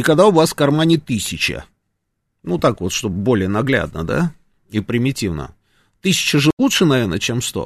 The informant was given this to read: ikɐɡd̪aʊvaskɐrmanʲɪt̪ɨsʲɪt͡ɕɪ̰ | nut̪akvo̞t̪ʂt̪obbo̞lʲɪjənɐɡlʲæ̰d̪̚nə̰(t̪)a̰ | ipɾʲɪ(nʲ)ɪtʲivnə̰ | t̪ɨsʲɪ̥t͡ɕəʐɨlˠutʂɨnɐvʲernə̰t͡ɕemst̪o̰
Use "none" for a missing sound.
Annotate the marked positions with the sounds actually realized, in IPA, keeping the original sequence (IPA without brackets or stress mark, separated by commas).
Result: d̪, mʲ